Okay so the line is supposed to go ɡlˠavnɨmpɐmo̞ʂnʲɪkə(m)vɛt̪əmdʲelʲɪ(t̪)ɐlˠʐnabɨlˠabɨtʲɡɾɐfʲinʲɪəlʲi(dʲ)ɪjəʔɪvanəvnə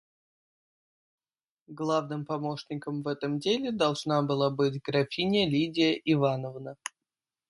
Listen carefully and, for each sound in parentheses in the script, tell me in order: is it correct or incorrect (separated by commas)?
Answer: correct, incorrect, correct